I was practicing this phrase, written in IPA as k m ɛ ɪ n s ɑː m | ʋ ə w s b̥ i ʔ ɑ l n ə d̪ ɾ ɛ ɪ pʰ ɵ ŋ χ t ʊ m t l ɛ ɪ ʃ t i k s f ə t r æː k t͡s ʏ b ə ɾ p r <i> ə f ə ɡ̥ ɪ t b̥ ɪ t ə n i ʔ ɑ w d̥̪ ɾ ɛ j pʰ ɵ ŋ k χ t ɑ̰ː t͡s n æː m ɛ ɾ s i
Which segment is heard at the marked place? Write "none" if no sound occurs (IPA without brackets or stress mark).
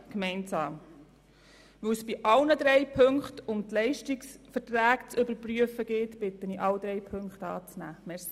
y